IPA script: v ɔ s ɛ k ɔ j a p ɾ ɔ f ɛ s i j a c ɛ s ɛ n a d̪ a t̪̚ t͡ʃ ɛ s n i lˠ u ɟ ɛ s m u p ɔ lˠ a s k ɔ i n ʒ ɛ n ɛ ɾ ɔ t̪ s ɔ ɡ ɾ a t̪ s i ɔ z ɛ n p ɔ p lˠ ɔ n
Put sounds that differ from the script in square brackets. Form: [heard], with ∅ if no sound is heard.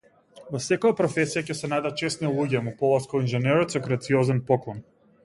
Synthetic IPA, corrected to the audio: v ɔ s ɛ k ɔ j a p ɾ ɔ f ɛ s i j a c ɛ s ɛ n a d̪ a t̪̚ t͡ʃ ɛ s n i lˠ u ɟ ɛ [∅] m u p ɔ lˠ a s k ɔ i n ʒ ɛ n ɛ ɾ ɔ t̪ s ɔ ɡ ɾ a t̪ s i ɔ z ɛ n p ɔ [k] lˠ ɔ n